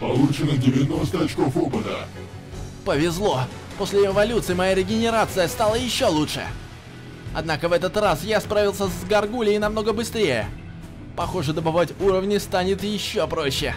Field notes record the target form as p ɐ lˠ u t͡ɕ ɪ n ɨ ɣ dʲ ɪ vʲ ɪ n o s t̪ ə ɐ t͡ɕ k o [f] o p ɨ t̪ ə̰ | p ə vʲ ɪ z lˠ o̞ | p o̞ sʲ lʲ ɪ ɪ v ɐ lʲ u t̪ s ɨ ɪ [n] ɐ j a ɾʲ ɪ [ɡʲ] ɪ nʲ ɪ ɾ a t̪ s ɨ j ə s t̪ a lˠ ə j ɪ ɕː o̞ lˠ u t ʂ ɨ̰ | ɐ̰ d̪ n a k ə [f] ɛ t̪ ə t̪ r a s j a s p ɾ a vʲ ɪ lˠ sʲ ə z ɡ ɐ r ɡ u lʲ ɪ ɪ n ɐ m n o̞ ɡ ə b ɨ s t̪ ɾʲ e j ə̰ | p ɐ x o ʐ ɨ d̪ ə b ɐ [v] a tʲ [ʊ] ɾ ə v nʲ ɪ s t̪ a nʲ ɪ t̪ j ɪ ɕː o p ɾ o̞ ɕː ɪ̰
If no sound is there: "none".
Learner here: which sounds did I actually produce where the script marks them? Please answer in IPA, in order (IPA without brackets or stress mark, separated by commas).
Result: f, m, ɡʲ, v, v, u